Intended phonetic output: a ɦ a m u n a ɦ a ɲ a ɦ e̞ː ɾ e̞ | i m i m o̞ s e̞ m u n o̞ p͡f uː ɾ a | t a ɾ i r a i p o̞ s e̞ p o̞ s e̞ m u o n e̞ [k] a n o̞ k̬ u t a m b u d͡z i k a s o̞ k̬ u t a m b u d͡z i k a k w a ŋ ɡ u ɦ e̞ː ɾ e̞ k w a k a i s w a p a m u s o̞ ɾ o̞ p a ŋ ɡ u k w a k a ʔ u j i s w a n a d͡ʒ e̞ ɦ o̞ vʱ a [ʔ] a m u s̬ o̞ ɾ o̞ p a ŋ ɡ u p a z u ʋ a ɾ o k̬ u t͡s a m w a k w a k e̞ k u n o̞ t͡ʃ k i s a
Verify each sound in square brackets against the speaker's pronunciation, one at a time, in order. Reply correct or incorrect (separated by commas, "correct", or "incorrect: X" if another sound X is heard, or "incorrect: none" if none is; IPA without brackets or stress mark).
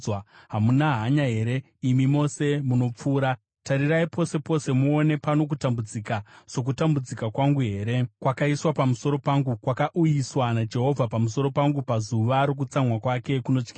incorrect: p, incorrect: p